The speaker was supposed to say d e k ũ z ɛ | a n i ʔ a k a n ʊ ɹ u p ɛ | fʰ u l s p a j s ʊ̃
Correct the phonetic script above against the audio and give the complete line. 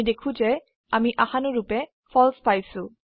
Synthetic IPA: d e kʰ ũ z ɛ | a m i ʔ a x a n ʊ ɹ u p ɛ | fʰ ɔ l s p a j s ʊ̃